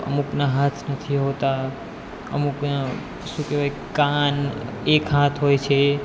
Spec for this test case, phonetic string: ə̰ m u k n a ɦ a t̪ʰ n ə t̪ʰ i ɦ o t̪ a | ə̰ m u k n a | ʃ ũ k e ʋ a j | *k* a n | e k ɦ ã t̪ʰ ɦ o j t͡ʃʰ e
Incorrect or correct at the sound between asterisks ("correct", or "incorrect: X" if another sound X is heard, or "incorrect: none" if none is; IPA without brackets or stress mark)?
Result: correct